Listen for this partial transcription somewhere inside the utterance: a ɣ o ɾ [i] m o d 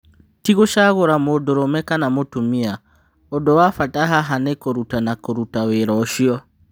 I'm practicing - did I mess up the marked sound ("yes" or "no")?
yes